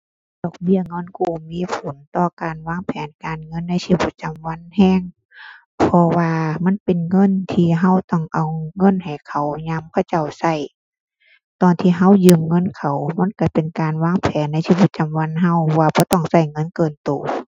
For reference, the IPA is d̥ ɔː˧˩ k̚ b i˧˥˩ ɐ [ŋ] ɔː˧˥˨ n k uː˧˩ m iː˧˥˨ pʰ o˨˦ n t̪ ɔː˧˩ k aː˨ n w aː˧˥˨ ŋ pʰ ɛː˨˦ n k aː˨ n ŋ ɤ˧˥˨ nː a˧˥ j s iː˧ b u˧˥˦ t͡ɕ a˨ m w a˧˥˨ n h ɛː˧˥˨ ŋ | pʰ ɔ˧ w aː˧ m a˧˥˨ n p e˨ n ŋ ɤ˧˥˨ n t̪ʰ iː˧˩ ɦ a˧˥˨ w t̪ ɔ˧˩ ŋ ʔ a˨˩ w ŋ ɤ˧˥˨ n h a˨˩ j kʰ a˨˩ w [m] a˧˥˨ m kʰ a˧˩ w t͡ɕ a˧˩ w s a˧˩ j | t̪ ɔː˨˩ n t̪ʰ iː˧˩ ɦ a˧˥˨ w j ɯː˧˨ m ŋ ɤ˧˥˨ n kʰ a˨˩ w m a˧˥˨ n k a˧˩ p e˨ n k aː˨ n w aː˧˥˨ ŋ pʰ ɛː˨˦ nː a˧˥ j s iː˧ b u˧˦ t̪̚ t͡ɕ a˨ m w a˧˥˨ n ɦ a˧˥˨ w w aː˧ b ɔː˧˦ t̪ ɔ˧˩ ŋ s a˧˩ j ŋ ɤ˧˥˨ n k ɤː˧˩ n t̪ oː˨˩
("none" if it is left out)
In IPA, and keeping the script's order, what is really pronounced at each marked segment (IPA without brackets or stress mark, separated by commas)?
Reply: ŋ, ɲ